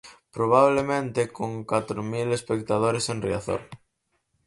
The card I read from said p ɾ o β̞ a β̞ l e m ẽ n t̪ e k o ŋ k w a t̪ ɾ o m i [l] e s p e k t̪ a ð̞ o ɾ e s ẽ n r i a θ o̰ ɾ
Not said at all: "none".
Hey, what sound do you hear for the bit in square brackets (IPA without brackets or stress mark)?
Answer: l